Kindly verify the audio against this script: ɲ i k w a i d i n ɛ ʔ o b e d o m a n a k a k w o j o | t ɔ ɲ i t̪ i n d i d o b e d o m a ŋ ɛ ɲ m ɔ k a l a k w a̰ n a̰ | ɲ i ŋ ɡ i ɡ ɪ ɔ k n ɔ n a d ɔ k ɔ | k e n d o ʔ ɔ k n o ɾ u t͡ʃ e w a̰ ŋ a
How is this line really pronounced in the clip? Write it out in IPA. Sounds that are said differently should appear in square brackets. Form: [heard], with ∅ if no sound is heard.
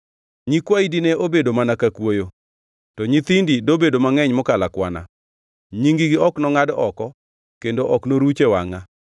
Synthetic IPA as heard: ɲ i k w a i d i n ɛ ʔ o b e d o m a n a k a k w o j o | t ɔ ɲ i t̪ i n d i d o b e d o m a ŋ ɛ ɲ m ɔ k a l a k w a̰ n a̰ | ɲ i ŋ ɡ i ɡ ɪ ɔ k n ɔ [ŋ] a d ɔ k ɔ | k e n d o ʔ ɔ k n o ɾ u t͡ʃ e w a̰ ŋ a